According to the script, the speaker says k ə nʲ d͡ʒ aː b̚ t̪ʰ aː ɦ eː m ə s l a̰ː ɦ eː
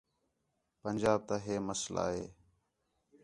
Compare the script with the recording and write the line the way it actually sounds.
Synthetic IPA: p ə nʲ d͡ʒ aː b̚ t̪ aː ɦ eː m ə s l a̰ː ɦ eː